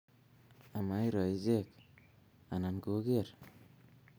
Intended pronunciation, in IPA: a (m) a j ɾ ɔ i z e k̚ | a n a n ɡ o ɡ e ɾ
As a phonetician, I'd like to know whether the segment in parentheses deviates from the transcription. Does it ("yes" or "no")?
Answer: no